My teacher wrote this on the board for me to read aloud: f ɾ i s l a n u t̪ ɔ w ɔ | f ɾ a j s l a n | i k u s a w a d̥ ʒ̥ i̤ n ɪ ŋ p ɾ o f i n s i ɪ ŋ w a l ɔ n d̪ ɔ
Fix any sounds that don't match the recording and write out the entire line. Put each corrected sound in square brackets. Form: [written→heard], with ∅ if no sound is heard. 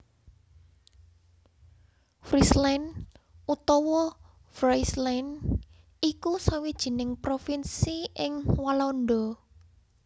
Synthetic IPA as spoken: f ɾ i s l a n u t̪ ɔ w ɔ | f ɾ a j s l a n | i k u s a w [a→i] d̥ ʒ̥ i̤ n ɪ ŋ p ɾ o f i n s i ɪ ŋ w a l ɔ n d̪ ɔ